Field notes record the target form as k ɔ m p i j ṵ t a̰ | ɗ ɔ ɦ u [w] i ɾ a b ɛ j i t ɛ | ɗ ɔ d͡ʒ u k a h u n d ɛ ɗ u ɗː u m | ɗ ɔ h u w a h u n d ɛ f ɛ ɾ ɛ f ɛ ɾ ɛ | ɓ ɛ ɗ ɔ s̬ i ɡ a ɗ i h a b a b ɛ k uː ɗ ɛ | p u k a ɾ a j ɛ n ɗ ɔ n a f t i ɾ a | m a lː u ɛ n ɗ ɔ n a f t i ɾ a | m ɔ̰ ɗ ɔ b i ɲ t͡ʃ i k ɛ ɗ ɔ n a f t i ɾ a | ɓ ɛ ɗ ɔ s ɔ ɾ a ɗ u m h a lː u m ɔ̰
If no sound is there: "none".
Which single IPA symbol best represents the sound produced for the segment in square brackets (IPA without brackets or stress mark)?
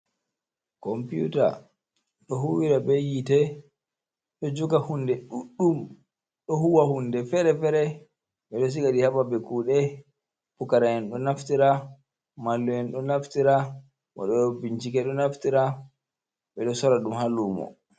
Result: w